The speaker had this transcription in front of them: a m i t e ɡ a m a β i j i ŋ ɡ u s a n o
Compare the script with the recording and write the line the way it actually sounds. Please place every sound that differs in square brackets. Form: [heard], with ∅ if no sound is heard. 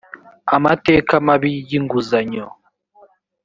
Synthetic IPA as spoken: a m [a] t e [k] a m a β i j i ŋ ɡ u [z] a [ɲ] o